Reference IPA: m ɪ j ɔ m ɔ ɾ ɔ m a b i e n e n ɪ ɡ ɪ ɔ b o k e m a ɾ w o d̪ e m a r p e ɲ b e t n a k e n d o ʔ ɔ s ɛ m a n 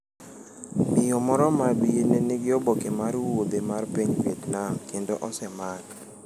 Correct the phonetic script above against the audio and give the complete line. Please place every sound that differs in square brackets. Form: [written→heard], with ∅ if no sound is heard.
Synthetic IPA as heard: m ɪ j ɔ m ɔ ɾ ɔ m a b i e n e n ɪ ɡ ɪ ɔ b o k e m a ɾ w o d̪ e m a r p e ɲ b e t n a k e n d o ʔ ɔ s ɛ m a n